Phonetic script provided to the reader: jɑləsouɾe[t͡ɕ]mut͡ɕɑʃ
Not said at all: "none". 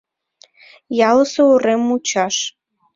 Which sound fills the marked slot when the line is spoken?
none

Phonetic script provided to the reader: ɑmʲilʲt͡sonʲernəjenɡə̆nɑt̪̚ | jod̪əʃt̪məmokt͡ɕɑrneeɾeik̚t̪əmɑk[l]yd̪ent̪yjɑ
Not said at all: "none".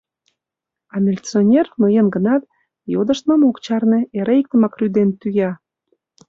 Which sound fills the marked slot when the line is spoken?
r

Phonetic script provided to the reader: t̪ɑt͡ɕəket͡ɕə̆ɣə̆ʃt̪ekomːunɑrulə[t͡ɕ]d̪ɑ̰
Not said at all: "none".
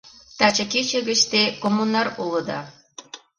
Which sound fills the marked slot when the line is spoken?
none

